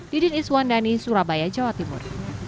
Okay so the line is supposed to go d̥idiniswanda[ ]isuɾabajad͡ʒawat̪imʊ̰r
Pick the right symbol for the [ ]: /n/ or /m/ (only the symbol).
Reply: n